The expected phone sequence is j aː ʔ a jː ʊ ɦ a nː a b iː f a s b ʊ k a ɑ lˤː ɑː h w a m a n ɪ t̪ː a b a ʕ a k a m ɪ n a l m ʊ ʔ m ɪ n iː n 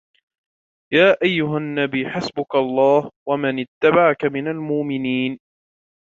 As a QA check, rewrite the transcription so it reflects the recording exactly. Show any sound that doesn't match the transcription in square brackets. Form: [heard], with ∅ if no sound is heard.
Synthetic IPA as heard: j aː ʔ a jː ʊ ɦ a nː a b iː [ħ] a s b ʊ k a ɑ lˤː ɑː h w a m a n ɪ t̪ː a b a ʕ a k a m ɪ n a l m ʊ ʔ m ɪ n iː n